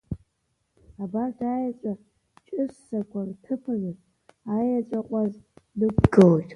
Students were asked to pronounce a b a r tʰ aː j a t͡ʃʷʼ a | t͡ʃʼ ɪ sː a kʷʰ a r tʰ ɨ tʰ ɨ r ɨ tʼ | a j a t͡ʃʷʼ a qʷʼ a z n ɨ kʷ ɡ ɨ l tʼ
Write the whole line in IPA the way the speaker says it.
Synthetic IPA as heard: a b a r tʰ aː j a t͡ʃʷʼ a | t͡ʃʼ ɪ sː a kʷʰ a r tʰ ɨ pʰ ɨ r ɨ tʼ | a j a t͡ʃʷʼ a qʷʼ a z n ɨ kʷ ɡ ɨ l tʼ